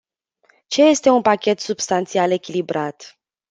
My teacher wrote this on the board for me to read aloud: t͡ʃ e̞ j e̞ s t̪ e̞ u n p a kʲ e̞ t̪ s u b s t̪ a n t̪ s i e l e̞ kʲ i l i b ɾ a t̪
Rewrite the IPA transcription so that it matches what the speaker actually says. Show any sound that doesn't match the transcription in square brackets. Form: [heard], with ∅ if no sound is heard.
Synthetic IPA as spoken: t͡ʃ e̞ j e̞ s t̪ e̞ u n p a kʲ e̞ t̪ s u b s t̪ a n t̪ s i [a] l e̞ kʲ i l i b ɾ a t̪